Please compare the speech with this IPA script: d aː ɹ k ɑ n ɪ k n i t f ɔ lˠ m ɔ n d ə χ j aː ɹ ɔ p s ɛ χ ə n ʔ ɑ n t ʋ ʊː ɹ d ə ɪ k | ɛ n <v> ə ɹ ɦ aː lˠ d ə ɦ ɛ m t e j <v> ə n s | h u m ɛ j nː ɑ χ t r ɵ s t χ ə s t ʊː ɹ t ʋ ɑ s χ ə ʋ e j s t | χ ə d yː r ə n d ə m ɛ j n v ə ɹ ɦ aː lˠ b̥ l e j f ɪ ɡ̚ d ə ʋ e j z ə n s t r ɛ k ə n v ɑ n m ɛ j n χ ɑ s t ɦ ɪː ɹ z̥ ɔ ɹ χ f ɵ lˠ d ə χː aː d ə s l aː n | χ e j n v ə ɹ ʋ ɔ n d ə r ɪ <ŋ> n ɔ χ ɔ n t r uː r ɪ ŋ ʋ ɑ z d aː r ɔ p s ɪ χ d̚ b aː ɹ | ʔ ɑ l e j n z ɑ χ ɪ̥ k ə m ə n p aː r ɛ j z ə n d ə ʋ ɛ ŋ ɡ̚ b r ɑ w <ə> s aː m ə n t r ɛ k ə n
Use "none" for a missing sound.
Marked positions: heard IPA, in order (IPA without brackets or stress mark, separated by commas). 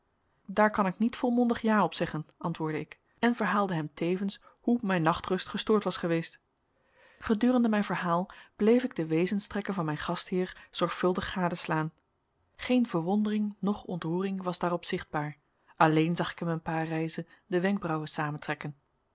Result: v, v, ŋ, ə